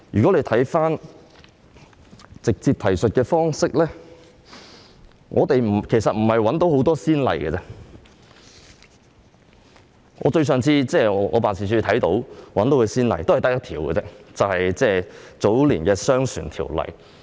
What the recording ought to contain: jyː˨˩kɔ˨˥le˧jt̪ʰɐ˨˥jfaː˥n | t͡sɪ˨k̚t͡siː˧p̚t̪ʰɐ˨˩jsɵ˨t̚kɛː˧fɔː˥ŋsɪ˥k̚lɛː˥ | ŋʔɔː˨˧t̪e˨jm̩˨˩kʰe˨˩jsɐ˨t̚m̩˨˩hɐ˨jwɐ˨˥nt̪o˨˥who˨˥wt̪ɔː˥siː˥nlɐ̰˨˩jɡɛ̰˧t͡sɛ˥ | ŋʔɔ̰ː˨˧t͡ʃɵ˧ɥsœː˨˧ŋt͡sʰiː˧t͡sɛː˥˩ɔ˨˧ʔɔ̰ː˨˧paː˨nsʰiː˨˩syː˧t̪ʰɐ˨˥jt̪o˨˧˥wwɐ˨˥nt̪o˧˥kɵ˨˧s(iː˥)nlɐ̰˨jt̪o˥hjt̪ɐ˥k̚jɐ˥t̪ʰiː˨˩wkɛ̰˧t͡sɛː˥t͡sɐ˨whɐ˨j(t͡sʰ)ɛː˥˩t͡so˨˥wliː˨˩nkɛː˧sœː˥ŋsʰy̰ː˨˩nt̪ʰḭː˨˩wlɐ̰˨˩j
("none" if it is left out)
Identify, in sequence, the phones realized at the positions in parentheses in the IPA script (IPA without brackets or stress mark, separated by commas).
iː˥, t͡s